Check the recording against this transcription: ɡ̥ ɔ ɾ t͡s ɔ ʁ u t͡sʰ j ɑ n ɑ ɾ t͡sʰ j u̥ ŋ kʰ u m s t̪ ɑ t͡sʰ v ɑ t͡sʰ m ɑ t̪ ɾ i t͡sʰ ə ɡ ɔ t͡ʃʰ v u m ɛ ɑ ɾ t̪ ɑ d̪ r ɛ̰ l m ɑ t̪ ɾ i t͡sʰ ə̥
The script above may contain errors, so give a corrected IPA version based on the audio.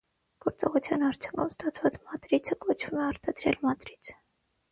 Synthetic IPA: ɡ̥ ɔ ɾ t͡s ɔ ʁ u t͡sʰ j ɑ n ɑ ɾ t͡sʰ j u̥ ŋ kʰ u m s t̪ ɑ t͡sʰ v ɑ t͡s m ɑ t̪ ɾ i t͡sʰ ə k ɔ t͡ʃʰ v u m ɛ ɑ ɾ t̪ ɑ d̪ ɾ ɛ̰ l m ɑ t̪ ɾ i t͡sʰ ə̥